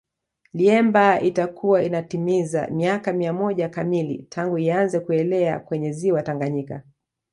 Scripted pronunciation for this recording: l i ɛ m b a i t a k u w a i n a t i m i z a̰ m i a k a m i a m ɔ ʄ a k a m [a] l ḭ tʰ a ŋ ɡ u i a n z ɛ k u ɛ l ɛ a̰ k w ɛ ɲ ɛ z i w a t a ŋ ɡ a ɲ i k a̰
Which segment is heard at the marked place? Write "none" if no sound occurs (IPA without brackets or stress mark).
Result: i